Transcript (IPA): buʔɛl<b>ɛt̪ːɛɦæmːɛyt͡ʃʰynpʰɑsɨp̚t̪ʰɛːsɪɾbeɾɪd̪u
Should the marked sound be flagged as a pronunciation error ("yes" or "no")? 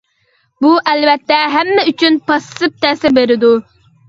yes